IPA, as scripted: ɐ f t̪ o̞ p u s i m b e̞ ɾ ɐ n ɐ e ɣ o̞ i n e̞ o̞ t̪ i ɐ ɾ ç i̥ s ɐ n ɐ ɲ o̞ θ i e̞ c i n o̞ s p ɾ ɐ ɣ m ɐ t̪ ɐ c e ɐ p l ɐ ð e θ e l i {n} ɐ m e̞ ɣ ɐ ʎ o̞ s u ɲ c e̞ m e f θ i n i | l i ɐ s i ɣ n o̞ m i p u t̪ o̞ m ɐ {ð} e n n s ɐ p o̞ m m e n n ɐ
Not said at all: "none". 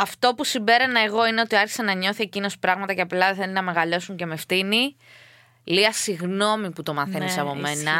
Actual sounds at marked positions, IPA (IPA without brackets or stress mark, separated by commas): n, θ